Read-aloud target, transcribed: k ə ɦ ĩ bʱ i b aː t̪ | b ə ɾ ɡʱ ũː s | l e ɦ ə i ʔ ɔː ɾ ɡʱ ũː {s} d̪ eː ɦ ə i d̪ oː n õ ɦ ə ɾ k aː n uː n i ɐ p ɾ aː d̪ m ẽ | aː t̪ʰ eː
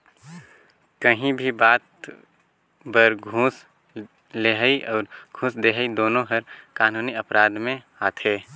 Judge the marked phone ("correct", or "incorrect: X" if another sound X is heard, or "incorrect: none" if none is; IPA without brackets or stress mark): correct